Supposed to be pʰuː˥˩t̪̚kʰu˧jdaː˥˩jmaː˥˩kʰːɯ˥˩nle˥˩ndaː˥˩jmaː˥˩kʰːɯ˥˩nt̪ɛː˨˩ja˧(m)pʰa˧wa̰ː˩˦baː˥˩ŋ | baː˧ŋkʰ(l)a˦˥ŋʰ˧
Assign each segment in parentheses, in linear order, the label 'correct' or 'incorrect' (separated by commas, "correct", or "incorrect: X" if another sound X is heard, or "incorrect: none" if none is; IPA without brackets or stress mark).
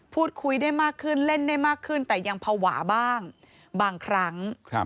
incorrect: ŋ, incorrect: ɾ